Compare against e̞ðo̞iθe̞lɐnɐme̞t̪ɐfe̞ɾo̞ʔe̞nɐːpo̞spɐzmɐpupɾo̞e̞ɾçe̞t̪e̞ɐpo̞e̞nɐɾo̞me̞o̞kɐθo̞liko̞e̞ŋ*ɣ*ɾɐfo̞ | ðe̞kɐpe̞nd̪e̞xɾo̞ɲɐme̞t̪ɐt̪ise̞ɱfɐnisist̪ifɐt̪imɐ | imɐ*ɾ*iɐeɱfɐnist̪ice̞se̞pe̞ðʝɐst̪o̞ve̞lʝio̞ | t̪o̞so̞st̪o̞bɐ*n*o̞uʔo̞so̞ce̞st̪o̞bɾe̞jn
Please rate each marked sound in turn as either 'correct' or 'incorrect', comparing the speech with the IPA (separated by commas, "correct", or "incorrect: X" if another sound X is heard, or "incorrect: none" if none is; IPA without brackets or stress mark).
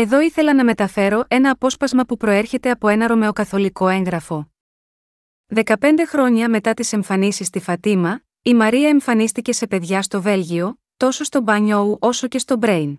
correct, correct, incorrect: ɲ